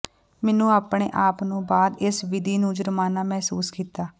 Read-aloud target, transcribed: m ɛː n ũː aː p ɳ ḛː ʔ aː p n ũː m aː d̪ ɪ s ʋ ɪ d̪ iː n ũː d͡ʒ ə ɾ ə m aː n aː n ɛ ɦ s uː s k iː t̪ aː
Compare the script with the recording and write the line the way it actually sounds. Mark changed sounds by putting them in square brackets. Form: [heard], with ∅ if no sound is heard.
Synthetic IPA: m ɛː n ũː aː p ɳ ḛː ʔ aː p n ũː [b] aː d̪ ɪ s ʋ ɪ d̪ iː n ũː d͡ʒ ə ɾ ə m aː n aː [m] ɛ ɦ s uː s k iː t̪ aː